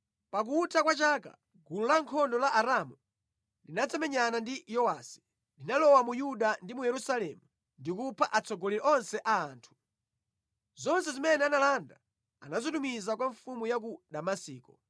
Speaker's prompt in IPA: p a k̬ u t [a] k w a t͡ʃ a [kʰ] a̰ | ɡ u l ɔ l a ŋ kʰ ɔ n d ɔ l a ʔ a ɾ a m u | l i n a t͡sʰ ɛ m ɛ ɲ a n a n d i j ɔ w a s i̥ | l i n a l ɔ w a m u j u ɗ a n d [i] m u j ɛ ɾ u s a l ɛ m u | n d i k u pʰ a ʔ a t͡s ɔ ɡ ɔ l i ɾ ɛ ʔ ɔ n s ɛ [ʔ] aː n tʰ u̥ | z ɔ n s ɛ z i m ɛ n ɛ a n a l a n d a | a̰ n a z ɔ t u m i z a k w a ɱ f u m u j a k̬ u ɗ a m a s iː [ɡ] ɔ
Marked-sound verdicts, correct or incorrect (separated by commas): correct, incorrect, correct, correct, incorrect